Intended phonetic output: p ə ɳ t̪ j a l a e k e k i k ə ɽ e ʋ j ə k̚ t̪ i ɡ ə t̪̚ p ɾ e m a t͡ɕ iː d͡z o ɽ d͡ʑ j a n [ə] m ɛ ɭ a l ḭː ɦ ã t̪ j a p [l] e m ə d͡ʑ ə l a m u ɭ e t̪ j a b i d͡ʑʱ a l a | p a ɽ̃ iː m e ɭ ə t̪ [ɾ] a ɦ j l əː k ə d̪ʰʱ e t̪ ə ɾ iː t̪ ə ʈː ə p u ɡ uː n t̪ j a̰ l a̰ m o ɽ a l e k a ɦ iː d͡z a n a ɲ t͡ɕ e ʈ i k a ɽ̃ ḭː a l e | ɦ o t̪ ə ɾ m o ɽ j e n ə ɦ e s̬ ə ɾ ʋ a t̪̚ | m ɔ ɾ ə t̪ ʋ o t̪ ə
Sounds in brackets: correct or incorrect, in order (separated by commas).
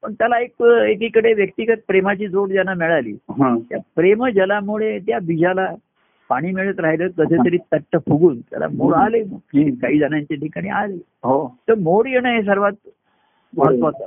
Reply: incorrect, incorrect, correct